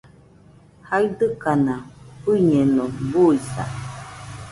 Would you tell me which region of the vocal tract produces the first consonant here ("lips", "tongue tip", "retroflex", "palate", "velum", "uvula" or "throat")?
throat